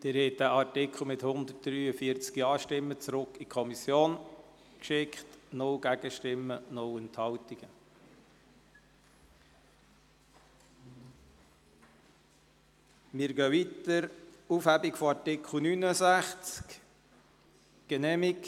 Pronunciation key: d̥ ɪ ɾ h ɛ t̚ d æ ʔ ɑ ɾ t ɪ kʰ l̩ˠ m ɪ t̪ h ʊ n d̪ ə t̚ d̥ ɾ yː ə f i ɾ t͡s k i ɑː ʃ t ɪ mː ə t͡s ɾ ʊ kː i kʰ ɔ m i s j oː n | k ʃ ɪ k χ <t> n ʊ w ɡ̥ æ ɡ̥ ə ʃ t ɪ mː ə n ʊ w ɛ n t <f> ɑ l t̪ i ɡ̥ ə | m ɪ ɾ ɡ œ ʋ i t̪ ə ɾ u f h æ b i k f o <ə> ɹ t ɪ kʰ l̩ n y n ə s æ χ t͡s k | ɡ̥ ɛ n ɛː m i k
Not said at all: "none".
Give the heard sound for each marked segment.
t, h, ɑ

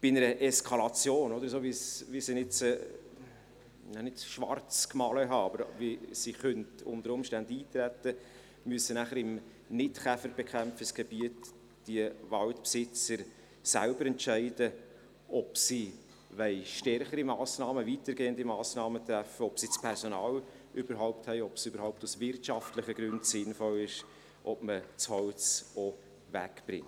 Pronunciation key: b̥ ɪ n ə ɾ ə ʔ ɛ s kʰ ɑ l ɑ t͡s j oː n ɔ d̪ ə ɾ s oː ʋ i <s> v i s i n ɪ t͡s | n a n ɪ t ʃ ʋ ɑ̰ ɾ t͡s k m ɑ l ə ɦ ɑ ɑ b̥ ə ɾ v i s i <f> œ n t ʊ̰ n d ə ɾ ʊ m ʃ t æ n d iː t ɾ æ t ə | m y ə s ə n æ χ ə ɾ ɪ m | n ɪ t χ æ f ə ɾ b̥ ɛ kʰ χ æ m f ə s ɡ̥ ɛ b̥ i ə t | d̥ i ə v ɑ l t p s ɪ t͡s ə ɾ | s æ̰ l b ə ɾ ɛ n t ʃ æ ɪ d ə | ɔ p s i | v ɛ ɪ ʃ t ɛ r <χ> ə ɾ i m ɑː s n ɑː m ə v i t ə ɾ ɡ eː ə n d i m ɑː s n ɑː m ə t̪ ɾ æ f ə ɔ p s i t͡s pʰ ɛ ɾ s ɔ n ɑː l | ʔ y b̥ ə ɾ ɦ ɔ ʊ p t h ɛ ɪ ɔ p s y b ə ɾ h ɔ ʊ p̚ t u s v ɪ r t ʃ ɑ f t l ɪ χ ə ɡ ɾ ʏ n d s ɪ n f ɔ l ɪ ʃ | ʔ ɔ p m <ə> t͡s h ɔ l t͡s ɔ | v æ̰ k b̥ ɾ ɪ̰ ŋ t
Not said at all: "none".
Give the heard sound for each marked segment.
s, χ, χ, ə

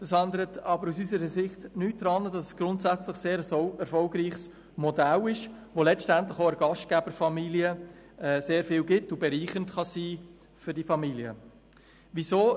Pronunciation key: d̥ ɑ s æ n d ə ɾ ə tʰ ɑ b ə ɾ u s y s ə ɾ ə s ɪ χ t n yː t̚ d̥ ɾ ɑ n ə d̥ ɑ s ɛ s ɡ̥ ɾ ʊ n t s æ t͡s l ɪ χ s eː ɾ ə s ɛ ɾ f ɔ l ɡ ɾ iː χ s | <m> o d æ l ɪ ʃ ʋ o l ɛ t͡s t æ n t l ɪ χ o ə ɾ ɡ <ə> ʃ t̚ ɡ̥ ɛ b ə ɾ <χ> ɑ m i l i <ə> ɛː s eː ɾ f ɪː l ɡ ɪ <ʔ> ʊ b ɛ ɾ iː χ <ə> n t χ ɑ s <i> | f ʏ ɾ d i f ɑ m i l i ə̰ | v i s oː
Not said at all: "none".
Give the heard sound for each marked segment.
m, ɑ, f, ə, t, ə, iː

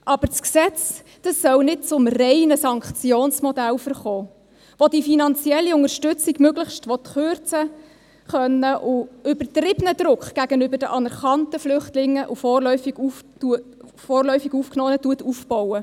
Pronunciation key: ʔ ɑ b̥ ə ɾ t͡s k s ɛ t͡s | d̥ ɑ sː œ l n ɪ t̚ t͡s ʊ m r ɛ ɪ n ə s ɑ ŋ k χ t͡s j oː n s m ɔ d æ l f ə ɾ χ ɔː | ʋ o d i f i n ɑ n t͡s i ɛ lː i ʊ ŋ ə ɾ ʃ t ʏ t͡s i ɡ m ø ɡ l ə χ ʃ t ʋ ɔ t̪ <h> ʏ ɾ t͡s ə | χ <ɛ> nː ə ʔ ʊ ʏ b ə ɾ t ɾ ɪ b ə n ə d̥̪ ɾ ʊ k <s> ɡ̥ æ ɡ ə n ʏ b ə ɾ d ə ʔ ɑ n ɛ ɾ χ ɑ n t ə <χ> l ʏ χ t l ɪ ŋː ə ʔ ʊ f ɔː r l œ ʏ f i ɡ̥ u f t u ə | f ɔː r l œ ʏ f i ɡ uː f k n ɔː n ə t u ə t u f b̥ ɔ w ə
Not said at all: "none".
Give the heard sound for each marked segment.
χ, œ, χ, f

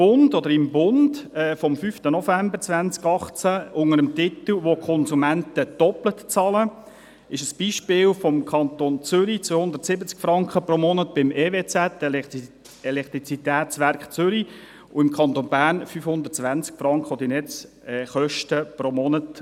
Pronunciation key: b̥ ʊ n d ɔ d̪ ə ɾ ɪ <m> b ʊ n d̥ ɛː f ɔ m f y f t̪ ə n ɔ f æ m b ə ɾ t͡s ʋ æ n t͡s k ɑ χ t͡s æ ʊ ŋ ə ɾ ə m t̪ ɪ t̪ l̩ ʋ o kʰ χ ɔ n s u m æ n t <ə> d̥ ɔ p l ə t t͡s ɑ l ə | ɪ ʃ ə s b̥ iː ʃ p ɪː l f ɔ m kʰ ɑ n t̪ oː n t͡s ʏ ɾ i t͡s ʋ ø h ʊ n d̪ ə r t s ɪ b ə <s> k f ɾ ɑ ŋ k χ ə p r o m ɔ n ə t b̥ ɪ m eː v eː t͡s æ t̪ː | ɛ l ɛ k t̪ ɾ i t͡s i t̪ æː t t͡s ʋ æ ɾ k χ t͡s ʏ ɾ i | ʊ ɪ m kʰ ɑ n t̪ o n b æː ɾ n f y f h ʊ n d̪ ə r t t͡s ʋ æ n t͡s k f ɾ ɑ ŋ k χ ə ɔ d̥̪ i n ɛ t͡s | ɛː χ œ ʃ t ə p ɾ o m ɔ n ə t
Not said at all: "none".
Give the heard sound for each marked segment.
m, ə, t͡s

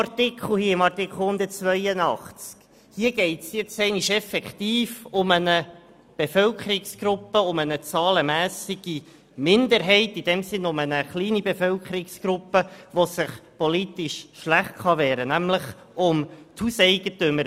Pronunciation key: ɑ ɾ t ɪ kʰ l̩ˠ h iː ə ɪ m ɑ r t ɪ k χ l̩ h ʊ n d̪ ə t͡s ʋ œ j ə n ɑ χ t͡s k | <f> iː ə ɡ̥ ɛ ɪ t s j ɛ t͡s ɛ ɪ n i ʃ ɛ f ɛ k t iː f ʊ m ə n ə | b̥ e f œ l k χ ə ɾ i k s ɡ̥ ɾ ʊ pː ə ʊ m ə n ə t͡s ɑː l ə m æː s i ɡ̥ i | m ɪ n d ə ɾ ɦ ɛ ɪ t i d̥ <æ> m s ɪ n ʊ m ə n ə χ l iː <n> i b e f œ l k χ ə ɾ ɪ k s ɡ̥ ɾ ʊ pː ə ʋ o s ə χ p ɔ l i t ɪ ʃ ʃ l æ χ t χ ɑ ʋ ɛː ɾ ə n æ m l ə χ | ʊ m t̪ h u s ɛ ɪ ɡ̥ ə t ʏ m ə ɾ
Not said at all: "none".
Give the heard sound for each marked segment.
h, ɛ, n

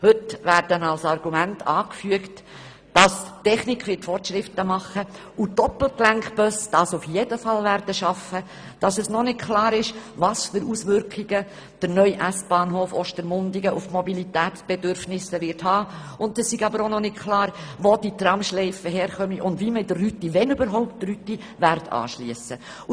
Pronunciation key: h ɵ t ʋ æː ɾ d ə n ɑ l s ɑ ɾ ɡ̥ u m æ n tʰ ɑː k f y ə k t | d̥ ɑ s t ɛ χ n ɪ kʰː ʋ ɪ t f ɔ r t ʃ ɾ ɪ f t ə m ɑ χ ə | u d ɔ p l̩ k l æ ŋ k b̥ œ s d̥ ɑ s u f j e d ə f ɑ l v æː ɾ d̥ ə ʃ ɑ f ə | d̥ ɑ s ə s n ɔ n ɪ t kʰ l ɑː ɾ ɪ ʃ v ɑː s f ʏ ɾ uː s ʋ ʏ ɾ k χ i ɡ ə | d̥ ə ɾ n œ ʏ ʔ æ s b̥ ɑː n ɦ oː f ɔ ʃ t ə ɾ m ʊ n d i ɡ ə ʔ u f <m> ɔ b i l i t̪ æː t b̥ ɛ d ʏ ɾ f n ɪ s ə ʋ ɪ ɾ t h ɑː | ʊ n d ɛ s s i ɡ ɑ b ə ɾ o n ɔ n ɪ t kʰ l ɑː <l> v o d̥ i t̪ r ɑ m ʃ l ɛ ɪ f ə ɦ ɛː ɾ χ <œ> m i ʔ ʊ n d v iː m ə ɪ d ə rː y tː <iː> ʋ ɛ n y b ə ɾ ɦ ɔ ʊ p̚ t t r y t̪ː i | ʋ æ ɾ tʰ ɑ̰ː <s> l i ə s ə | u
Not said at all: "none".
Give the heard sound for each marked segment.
m, ɾ, œ, i, ʃ

